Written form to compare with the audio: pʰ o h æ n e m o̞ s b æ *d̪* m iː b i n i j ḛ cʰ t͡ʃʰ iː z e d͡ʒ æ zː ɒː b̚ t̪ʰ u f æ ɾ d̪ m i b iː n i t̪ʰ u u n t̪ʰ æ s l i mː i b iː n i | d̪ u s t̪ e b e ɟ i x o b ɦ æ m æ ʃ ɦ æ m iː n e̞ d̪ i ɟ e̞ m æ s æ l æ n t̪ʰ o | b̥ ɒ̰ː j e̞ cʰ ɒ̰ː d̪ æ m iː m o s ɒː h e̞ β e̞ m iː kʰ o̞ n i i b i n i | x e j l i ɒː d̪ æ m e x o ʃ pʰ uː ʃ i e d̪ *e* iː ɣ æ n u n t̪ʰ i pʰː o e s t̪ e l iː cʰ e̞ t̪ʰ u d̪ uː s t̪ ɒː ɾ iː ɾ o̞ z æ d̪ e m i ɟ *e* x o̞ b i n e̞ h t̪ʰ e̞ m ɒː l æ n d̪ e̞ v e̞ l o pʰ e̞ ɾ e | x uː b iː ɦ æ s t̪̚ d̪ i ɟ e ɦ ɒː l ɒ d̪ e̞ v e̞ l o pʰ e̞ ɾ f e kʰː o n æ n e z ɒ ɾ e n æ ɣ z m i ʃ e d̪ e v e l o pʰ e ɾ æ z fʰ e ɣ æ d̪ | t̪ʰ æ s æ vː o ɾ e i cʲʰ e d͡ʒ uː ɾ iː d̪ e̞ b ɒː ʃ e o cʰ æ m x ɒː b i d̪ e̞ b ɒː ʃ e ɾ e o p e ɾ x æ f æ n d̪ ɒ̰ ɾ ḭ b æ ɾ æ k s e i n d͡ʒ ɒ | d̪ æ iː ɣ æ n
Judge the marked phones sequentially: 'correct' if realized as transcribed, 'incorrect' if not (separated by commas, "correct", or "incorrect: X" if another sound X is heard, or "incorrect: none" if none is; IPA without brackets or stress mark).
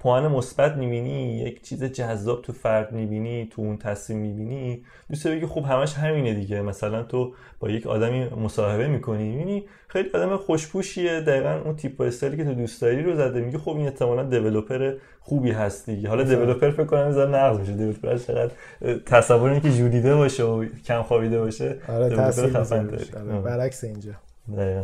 incorrect: t̪, incorrect: æ, incorrect: i